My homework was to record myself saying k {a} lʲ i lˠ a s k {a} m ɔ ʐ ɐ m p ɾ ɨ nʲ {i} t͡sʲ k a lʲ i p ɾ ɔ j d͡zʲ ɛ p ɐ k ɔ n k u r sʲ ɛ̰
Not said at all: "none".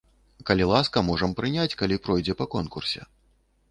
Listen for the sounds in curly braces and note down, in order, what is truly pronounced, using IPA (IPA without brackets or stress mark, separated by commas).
ɐ, ɐ, a